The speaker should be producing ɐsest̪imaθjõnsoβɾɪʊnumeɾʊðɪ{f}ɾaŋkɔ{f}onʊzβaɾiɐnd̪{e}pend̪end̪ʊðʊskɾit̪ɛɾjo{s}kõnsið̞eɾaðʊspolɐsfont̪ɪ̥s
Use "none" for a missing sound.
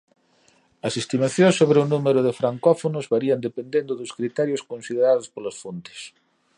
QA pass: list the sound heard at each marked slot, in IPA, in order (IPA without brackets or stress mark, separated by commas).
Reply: f, f, e, s